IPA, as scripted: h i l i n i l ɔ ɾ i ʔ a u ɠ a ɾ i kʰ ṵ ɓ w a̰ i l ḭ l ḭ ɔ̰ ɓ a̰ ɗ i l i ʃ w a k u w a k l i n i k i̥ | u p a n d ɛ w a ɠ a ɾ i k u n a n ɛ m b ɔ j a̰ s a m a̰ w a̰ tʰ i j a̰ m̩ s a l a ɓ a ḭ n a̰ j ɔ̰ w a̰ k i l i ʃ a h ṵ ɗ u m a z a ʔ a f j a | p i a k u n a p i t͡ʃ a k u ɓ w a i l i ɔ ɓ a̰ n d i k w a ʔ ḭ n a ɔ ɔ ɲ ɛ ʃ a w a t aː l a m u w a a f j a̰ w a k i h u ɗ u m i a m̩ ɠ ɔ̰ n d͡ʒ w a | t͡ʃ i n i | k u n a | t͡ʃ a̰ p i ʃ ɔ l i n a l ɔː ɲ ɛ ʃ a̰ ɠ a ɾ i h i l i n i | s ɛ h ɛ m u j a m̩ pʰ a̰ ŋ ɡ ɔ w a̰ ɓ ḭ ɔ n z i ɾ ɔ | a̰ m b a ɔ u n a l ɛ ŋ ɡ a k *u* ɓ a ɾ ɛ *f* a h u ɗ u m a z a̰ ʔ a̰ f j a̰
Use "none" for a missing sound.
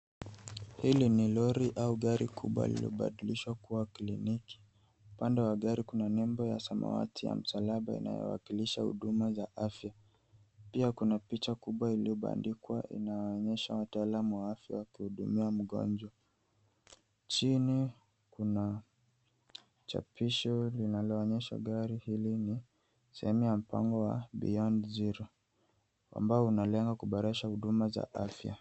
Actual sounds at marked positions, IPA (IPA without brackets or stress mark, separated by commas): u, ʃ